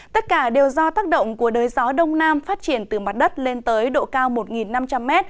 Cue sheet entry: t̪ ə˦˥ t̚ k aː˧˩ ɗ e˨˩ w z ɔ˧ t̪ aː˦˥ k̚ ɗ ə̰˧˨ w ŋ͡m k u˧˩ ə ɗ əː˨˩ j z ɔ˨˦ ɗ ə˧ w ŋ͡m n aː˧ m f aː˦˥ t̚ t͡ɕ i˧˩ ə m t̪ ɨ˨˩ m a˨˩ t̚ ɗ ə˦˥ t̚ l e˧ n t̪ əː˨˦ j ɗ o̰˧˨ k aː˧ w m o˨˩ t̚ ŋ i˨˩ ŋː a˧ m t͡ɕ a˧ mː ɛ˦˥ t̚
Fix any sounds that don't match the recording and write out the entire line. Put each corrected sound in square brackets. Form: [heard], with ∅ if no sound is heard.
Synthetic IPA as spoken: t̪ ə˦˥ t̚ k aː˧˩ ɗ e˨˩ w z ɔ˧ t̪ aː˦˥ k̚ ɗ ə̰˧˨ w ŋ͡m k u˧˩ ə ɗ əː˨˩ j z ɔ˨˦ ɗ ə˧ w ŋ͡m n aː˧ m f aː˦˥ t̚ t͡ɕ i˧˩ ə [n] t̪ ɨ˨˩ m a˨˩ t̚ ɗ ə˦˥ t̚ l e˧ n t̪ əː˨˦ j ɗ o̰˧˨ k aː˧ w m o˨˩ t̚ ŋ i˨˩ [nː] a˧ m t͡ɕ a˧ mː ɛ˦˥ t̚